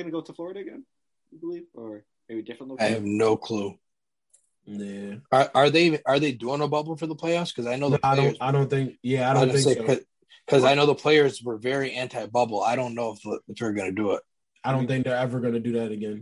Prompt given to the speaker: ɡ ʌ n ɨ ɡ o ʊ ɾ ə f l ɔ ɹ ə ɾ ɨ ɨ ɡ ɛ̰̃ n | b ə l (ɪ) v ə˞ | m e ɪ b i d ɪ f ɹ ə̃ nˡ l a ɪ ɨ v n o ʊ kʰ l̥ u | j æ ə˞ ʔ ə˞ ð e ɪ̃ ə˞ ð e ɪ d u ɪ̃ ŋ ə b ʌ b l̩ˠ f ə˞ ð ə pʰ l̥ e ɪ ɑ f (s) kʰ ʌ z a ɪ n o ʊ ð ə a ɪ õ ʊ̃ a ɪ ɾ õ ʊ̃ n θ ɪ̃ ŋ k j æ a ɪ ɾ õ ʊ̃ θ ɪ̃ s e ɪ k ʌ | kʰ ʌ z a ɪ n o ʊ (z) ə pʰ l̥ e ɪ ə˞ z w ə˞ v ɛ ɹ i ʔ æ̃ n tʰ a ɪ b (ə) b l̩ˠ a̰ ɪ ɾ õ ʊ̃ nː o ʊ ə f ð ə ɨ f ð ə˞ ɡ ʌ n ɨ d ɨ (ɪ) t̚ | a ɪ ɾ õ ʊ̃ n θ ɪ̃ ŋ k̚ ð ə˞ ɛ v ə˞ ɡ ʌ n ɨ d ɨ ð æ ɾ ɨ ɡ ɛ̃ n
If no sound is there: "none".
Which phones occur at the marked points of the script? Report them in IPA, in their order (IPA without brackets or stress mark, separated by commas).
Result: i, s, ð, ʌ, ɪ